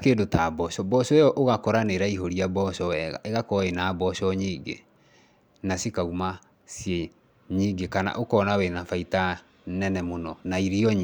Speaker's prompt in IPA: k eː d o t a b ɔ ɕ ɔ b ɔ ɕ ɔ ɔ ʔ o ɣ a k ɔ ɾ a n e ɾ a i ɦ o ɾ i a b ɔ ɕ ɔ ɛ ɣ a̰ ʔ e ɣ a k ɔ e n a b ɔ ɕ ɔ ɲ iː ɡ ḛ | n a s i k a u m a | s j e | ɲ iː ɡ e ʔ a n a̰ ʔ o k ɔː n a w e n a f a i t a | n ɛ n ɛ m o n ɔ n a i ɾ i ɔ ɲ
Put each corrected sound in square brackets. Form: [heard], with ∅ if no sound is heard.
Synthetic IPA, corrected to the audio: k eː d o t a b ɔ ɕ ɔ b ɔ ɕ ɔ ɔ ʔ o ɣ a k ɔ ɾ a n e ɾ a i ɦ o ɾ i a b ɔ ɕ ɔ ɛ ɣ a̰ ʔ e ɣ a k ɔ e n a b ɔ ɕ ɔ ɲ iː ɡ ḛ | n a s i k a u m a | s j e | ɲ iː ɡ e [k] a n a̰ ʔ o k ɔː n a w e n a f a i t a | n ɛ n ɛ m o n ɔ n a i ɾ i ɔ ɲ